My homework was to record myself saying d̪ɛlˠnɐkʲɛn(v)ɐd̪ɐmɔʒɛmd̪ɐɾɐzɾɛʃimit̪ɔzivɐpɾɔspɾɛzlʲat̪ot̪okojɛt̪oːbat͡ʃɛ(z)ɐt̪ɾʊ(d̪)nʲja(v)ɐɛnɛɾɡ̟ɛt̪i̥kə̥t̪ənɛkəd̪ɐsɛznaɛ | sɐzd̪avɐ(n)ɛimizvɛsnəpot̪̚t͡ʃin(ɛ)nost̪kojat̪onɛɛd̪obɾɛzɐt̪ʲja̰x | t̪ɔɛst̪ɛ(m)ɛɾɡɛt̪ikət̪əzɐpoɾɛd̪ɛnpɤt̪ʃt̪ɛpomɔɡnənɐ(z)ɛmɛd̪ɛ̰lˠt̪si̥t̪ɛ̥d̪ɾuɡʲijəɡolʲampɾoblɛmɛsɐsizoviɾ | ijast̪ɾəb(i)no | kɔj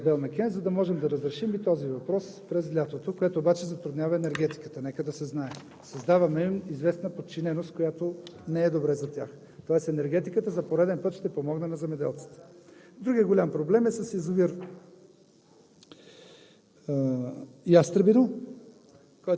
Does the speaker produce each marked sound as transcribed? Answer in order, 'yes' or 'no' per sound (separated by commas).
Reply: no, yes, yes, yes, no, yes, no, yes, yes